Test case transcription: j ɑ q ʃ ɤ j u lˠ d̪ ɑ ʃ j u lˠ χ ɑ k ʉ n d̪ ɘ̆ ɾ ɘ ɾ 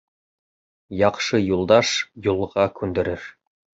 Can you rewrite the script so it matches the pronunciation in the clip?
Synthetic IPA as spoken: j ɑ q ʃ ɤ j u lˠ d̪ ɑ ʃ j u lˠ ʁ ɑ k ʉ n d̪ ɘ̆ ɾ ɘ ɾ